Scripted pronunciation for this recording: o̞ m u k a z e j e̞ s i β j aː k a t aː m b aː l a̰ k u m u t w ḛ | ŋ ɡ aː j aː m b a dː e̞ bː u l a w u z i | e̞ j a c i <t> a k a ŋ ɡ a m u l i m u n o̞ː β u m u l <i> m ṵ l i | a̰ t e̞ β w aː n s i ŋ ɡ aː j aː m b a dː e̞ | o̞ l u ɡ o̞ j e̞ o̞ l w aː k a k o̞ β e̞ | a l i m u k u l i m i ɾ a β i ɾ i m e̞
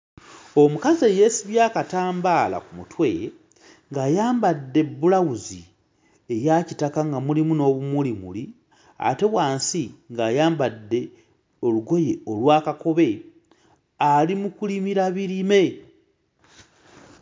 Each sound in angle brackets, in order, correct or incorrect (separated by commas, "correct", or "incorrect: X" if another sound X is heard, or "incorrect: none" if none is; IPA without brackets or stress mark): correct, correct